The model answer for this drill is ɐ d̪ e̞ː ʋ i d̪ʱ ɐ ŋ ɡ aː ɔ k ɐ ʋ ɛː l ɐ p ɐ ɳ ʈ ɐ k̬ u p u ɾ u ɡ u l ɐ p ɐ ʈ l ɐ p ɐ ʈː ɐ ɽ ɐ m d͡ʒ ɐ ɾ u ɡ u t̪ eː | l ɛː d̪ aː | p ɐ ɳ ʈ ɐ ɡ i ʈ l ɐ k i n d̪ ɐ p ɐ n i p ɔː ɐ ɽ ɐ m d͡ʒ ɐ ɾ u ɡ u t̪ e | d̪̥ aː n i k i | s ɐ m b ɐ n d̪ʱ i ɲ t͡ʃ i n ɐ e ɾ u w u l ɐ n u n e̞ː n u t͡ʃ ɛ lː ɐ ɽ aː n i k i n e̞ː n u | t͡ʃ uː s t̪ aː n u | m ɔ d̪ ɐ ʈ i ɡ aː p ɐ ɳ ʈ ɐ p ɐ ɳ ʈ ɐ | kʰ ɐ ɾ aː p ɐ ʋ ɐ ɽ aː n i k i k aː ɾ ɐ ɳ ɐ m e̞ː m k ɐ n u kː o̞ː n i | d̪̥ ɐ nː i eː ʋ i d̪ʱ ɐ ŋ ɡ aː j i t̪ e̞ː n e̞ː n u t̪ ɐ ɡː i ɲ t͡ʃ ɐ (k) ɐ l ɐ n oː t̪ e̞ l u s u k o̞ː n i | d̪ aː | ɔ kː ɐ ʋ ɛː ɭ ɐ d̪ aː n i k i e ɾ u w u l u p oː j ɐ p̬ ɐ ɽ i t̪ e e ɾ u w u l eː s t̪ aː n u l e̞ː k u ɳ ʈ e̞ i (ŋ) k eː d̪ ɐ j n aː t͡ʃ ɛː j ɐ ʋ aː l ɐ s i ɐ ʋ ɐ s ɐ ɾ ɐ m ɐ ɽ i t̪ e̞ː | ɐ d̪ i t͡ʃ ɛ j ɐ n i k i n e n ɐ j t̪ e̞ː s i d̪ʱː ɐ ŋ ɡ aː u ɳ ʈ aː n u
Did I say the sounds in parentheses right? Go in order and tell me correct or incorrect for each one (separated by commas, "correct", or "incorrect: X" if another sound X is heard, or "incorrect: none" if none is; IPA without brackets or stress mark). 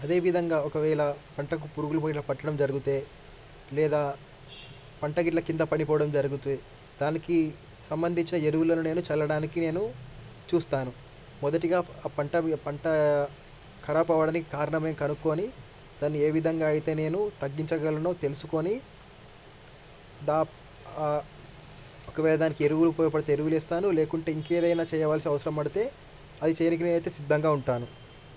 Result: incorrect: ɡ, correct